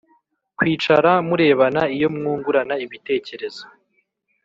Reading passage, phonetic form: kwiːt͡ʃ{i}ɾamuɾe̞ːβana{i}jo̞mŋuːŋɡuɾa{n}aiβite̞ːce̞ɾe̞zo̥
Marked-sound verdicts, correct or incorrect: incorrect: a, correct, correct

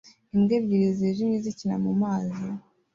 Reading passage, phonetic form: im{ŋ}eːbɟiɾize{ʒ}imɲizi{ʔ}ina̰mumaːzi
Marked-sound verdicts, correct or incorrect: incorrect: ɡ, correct, incorrect: c

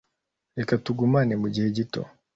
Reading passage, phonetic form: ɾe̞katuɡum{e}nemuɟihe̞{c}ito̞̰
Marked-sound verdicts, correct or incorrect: incorrect: a, incorrect: ɟ

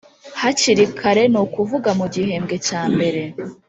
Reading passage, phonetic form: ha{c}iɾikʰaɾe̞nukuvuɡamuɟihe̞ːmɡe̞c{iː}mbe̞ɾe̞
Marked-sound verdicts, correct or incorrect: correct, incorrect: aː

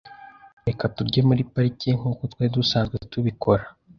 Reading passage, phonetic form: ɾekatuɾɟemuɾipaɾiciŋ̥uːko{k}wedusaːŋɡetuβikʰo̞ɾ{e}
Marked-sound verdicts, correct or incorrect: incorrect: t, incorrect: a

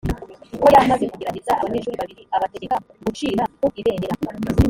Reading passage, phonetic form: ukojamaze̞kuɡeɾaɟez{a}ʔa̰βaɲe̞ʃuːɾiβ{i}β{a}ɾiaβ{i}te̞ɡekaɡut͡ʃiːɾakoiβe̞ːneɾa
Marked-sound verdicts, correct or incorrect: correct, incorrect: a, incorrect: i, incorrect: a

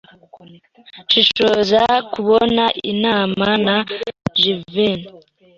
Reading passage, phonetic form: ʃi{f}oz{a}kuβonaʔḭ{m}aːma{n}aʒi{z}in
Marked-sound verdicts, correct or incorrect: incorrect: ʃ, correct, incorrect: n, correct, incorrect: v

